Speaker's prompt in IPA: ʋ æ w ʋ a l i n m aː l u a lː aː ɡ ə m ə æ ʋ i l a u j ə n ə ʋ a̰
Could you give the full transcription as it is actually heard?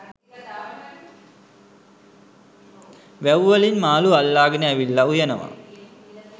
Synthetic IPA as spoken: ʋ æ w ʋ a l i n m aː l u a lː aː ɡ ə n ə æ ʋ i lː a u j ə n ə ʋ a̰